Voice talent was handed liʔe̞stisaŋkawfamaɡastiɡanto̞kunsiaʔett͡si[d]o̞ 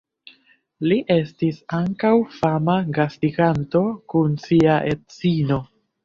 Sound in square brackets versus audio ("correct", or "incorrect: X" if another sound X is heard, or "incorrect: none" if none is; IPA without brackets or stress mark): incorrect: n